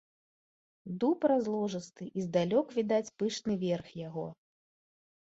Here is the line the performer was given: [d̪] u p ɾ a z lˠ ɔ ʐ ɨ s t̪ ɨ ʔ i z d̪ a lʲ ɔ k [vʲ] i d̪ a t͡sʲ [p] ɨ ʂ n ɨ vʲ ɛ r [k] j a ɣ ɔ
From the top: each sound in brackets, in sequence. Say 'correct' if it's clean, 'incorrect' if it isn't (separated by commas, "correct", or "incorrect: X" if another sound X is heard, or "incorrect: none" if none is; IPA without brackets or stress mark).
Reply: correct, correct, correct, incorrect: x